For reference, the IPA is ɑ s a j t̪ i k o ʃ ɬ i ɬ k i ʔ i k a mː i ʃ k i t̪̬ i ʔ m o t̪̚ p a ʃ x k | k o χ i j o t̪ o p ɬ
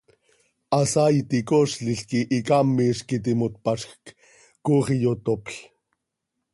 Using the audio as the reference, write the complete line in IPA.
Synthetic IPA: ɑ s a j t̪ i k o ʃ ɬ i ɬ k i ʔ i k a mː i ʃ k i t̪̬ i m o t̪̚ p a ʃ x k | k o χ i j o t̪ o p ɬ